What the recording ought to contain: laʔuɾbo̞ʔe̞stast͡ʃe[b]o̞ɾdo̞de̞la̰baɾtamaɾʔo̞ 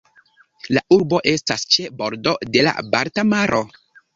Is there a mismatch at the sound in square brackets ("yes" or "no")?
no